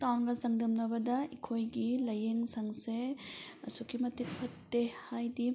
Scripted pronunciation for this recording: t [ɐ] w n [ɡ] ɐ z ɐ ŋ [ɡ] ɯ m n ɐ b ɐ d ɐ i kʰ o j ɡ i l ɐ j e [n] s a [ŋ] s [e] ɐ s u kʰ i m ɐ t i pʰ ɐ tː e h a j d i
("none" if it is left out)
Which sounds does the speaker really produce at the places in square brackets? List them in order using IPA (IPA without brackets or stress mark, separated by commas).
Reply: a, ɡ, d, ŋ, ŋ, e